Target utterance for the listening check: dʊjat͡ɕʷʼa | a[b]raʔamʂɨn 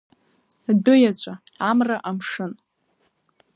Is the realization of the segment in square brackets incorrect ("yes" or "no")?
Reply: yes